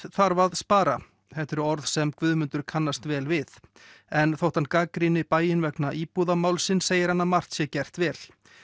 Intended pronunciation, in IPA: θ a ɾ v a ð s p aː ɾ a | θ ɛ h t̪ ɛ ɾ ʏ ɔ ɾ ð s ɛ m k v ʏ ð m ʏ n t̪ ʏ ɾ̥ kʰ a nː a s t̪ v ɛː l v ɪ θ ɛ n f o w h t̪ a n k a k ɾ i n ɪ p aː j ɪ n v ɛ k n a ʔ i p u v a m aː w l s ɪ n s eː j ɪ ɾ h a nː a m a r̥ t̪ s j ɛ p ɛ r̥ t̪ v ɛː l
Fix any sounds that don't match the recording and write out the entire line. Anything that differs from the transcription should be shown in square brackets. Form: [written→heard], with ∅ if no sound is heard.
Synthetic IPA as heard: θ a ɾ v a ð s p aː ɾ a | θ ɛ h t̪ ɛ ɾ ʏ ɔ ɾ ð s ɛ m k v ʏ ð m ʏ n t̪ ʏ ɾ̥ kʰ a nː a s t̪ v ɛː l v ɪ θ ɛ n [f→θ] o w h t̪ a n k a k ɾ i n ɪ p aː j ɪ n v ɛ k n a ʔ i p u [v→ð] a m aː w l s ɪ n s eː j ɪ ɾ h a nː a m a r̥ t̪ s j ɛ [p→c] ɛ r̥ t̪ v ɛː l